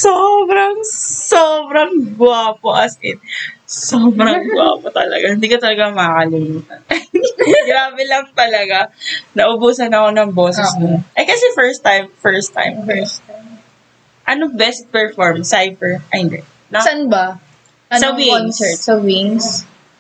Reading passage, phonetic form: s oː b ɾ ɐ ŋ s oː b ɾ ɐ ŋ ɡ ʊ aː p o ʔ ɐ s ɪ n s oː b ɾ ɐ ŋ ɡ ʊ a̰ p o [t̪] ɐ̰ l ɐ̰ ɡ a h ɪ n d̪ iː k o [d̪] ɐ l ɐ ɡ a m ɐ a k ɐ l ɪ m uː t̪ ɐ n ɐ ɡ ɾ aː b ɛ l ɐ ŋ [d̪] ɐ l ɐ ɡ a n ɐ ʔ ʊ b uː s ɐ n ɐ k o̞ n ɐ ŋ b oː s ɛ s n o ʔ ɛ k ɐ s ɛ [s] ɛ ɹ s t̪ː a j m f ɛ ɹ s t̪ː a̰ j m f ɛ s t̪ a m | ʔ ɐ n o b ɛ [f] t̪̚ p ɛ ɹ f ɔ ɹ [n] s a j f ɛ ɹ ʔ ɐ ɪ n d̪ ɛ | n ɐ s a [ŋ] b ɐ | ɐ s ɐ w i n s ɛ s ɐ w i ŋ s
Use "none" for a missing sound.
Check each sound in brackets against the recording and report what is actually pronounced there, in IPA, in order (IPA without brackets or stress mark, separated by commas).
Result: t̪, t̪, t̪, f, s, m, n